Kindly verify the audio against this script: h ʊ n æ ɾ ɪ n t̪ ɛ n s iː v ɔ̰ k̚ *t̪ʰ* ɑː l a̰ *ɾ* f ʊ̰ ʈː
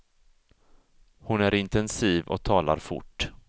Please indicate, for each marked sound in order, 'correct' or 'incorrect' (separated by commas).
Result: correct, correct